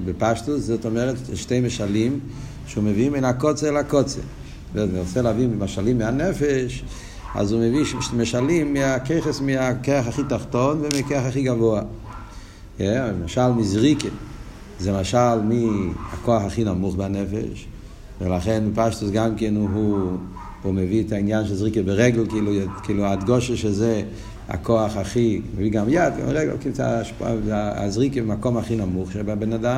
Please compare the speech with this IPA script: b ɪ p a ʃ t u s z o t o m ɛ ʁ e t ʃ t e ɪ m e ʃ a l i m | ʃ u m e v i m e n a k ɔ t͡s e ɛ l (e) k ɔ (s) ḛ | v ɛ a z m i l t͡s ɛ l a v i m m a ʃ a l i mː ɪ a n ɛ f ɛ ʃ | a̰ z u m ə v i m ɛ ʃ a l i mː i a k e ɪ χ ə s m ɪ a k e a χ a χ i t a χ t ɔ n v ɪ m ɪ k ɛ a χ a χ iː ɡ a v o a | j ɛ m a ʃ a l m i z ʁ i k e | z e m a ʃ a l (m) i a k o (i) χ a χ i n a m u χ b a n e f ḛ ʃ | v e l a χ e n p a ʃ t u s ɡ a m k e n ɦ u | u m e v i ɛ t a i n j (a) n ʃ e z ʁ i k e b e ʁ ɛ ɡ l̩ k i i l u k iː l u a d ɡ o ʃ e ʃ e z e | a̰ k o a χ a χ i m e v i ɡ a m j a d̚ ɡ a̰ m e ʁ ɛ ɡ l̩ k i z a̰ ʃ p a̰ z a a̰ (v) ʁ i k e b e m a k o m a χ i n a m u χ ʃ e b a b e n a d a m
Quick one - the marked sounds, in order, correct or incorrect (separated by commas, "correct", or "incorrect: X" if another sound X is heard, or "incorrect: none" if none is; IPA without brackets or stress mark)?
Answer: incorrect: a, incorrect: t͡s, correct, incorrect: a, correct, incorrect: z